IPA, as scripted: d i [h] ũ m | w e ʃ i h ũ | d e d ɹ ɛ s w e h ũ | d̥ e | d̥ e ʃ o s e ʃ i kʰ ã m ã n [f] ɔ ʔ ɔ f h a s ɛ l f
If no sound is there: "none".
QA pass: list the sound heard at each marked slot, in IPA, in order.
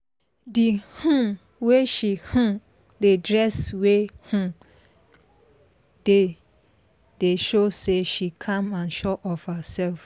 h, ʃ

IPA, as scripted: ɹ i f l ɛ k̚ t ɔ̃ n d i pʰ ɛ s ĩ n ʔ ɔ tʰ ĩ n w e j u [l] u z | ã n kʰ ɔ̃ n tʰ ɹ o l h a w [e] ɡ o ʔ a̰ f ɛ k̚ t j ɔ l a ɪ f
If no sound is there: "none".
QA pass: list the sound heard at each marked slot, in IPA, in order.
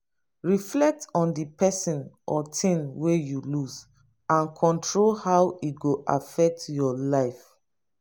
l, i

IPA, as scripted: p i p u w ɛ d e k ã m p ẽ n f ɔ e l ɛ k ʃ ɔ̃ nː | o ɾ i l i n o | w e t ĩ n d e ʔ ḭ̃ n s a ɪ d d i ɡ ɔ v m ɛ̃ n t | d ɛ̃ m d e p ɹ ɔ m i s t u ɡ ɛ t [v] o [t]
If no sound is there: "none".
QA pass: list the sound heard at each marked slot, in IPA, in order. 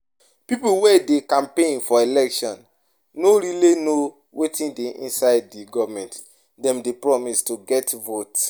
v, t

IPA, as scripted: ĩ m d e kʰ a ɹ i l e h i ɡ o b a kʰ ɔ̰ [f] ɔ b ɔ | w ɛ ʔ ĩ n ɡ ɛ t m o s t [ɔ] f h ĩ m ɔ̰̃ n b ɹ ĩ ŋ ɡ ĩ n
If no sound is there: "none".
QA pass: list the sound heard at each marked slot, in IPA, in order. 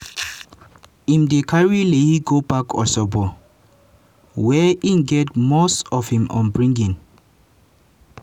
s, ɔ

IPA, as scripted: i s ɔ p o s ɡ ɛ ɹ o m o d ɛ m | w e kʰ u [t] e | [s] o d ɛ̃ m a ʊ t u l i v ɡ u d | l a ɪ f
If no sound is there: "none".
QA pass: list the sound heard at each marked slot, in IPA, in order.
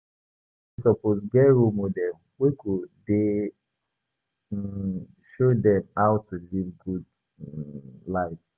d, ʃ

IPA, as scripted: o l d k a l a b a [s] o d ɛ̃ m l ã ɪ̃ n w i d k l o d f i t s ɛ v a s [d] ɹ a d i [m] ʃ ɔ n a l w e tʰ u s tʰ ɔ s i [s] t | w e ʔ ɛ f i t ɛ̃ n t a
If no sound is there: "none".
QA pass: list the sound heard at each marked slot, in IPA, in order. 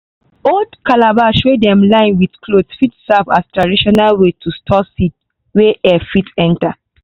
ʃ, t, none, none

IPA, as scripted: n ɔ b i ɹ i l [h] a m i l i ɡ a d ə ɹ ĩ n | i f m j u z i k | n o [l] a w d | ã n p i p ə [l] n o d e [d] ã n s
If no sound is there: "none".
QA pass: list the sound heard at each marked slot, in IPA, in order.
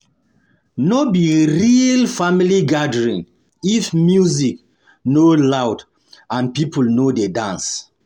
f, l, l, d

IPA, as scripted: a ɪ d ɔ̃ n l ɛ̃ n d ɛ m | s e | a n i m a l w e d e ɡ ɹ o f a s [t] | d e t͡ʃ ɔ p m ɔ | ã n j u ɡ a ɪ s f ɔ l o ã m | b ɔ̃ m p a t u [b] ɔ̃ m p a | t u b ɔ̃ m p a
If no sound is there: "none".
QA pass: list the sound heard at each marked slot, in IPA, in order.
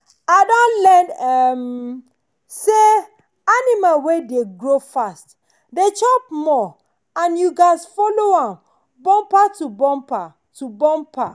t, b

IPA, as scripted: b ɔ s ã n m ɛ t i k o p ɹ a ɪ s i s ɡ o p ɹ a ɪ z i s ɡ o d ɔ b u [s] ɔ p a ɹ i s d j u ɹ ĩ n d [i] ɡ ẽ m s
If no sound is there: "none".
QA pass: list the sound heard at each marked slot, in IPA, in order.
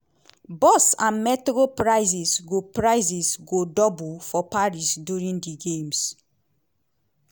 f, i

